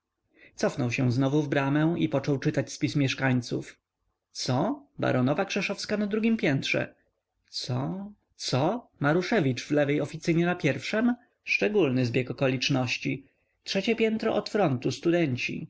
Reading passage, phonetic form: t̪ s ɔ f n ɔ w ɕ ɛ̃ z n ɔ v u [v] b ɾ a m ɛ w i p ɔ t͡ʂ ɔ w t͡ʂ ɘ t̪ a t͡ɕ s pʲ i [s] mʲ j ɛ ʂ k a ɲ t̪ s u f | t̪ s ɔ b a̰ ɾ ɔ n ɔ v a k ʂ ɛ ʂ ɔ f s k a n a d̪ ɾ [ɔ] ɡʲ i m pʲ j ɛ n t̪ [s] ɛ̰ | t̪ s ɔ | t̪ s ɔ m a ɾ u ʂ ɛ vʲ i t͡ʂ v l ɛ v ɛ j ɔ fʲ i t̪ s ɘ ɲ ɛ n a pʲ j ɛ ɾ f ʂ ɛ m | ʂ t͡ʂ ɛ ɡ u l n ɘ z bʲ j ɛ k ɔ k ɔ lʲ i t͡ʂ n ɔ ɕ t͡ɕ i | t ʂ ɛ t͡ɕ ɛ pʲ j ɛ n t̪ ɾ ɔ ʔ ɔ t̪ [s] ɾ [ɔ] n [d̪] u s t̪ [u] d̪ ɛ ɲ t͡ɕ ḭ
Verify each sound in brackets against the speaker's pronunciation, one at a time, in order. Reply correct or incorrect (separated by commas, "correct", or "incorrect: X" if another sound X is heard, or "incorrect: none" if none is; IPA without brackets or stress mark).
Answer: correct, correct, incorrect: u, incorrect: ʂ, incorrect: f, correct, incorrect: t̪, correct